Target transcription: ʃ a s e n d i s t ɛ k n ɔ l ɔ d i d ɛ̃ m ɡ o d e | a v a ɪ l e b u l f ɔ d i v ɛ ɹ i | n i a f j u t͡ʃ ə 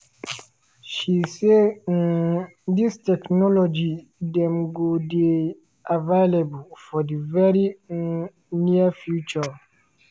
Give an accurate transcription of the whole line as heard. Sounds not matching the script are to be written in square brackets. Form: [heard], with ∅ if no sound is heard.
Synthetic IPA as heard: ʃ [i] s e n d i s t ɛ k n ɔ l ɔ [d͡ʒ] i d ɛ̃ m ɡ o d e | a v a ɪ l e b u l f ɔ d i v ɛ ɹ i | n i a f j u t͡ʃ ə